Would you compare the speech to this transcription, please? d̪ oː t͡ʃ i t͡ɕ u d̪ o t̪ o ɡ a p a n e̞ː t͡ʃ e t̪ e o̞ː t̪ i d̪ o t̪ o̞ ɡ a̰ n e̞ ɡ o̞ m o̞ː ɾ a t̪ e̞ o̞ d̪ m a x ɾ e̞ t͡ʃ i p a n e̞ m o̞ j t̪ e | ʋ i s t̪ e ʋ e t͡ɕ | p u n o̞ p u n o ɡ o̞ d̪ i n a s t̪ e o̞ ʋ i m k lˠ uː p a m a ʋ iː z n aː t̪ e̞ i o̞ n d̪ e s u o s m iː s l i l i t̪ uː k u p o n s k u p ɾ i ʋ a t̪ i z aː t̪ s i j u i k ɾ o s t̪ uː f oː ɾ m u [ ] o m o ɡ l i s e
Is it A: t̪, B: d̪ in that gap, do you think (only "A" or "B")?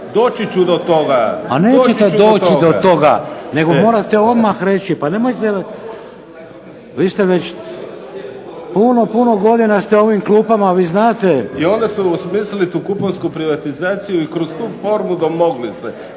B